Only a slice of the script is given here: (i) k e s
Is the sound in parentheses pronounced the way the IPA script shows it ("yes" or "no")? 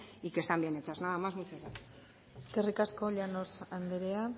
yes